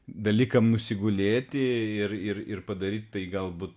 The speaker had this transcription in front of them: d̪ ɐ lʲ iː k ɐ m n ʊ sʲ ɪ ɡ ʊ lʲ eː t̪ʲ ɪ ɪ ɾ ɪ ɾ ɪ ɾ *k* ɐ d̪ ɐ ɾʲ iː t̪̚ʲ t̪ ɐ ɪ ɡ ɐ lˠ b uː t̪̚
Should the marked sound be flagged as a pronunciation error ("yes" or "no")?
yes